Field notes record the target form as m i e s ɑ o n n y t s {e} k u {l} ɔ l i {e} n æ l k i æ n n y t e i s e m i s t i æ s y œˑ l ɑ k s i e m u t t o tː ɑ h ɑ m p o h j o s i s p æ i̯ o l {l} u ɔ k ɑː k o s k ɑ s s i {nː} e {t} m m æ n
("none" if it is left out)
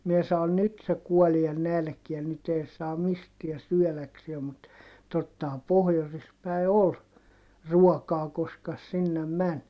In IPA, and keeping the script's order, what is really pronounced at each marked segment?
e, none, e, r, nː, none

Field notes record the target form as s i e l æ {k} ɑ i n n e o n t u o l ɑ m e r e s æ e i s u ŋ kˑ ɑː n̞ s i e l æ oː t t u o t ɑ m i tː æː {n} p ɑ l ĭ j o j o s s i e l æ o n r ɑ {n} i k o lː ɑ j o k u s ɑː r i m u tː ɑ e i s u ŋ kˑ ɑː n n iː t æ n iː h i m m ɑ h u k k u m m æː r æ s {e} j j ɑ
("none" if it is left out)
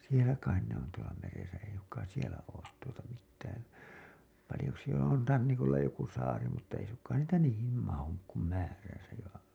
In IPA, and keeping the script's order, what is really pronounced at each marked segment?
k, n, nː, æ

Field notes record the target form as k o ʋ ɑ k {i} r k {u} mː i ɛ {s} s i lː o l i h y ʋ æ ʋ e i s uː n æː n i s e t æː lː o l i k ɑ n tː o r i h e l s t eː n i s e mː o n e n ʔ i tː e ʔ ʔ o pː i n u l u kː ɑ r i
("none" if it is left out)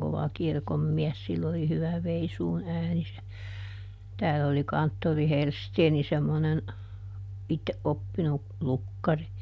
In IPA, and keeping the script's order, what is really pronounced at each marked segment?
i, o, s

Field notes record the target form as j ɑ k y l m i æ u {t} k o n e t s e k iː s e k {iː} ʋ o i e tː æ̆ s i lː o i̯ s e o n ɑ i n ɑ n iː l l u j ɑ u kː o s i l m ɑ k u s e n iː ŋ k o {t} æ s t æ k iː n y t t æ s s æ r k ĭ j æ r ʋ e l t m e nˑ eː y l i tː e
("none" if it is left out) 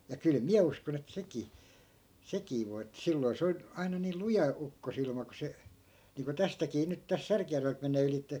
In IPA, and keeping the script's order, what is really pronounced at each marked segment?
s, iː, t

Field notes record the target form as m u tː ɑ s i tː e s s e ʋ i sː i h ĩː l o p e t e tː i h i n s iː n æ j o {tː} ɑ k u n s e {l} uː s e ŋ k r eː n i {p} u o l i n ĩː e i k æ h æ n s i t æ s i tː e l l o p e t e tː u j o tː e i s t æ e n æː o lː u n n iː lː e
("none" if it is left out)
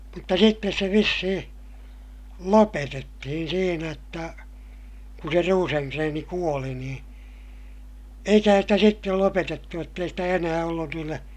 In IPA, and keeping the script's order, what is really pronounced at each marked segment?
tː, r, k

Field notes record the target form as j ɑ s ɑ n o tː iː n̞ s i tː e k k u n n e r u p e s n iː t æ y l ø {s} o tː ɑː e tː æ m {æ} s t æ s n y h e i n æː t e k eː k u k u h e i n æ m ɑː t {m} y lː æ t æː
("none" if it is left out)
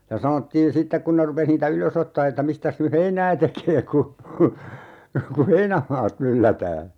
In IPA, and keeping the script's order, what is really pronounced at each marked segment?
s, i, m

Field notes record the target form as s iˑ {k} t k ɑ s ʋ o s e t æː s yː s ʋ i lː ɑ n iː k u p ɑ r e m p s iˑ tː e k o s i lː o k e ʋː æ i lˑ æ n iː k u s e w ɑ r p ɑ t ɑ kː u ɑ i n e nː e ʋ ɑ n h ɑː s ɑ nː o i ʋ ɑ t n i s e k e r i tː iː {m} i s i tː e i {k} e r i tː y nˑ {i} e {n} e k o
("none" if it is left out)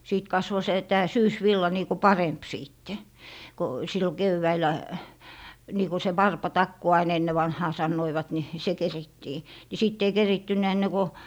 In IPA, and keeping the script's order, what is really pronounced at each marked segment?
none, n, k, æ, nː

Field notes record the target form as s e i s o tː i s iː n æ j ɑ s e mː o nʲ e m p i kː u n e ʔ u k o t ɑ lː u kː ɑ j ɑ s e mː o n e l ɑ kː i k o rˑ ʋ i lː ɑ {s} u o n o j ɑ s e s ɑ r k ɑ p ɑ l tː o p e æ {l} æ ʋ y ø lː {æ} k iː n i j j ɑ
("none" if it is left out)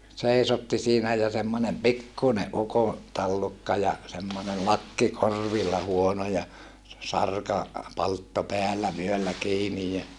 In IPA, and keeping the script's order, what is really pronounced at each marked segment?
h, lː, æ

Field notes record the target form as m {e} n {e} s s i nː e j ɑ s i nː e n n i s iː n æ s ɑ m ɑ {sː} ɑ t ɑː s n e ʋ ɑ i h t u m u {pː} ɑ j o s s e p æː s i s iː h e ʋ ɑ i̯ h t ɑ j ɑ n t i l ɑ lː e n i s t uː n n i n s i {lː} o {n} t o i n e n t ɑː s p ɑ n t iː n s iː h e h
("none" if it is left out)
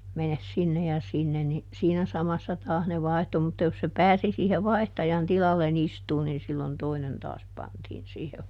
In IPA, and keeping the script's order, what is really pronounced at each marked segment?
e, e, sː, tː, lː, n

